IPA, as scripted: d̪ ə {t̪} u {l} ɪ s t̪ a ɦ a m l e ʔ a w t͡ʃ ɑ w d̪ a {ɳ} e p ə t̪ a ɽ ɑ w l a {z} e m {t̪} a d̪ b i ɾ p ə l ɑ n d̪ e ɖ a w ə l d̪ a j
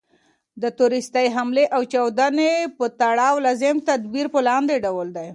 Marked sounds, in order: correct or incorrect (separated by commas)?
correct, incorrect, incorrect, correct, correct